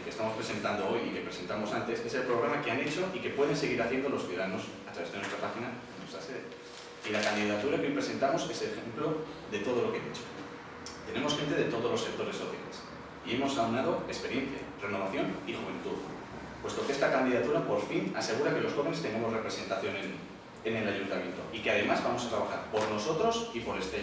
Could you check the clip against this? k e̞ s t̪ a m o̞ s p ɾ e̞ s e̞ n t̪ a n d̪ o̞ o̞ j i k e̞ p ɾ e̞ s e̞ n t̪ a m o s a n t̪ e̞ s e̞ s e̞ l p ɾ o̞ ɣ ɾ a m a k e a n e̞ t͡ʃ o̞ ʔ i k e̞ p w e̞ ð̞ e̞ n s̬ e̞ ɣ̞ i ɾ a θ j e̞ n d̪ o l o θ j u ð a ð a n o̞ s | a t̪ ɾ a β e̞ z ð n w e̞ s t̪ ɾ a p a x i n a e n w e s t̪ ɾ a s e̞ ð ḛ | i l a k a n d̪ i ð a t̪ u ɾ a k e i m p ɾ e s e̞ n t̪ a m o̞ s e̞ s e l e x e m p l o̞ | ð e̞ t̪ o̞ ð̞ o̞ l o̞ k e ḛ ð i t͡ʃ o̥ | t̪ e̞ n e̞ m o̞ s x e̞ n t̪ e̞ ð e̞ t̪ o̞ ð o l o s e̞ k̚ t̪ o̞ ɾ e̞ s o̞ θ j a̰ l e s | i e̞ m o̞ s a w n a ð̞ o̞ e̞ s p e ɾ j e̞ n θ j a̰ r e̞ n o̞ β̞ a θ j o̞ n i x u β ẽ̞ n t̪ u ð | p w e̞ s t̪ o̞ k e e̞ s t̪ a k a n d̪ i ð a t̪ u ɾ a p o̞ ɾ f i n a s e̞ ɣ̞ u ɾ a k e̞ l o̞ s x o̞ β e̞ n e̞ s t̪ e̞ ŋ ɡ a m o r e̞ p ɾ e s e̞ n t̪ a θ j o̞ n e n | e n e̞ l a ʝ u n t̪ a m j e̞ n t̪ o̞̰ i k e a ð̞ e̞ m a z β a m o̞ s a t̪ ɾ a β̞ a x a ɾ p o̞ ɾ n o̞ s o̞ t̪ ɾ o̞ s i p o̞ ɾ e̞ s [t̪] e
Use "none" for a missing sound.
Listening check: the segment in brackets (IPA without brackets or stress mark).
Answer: t̪